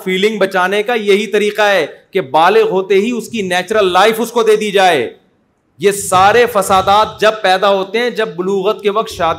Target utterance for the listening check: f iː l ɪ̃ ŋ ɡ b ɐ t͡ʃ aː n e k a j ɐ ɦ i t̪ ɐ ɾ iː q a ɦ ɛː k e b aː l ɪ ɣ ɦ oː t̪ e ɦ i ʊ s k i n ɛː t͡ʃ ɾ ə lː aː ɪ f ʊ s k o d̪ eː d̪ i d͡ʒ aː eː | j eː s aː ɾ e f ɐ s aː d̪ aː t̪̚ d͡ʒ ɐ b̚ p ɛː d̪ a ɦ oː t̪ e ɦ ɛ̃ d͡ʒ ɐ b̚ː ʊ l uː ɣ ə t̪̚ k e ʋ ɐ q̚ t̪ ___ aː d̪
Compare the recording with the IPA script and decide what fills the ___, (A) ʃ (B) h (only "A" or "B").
A